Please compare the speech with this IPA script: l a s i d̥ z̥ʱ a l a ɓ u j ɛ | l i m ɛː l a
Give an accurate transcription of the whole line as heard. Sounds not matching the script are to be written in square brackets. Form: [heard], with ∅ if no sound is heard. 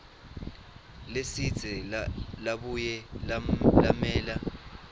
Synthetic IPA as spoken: l [e] s i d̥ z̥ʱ [ɛ] l a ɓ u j ɛ | l [a] m ɛː l a